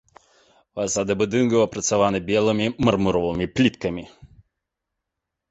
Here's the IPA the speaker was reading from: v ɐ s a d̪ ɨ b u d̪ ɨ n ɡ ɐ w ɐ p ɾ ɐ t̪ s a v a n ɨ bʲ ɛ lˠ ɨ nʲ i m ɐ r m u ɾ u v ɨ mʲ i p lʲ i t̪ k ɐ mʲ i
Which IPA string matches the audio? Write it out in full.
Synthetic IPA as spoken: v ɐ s a d̪ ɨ b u d̪ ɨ n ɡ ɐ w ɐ p ɾ ɐ t̪ s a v a n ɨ bʲ ɛ lˠ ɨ mʲ i m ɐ r m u ɾ ɔ v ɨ mʲ i p lʲ i t̪ k ɐ mʲ i